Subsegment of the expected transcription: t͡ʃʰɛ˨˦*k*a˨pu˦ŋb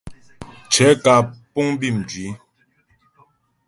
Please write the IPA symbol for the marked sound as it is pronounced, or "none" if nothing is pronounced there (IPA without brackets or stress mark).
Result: k